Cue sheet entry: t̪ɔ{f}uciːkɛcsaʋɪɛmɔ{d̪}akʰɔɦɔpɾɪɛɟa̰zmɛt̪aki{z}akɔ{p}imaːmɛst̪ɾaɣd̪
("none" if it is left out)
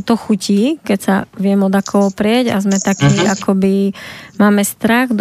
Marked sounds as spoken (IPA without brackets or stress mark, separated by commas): x, d̪, none, b